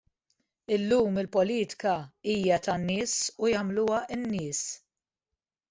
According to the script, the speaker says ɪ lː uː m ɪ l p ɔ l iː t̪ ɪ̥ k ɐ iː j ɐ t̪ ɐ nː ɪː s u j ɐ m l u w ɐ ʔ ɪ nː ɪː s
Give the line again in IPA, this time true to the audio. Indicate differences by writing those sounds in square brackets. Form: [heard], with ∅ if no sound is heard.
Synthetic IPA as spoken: ɪ lː uː m ɪ l p ɔ l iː t̪ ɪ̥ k ɐ iː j ɐ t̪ ɐ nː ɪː s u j ɐ m l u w ɐ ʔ ɪ nː ɪː s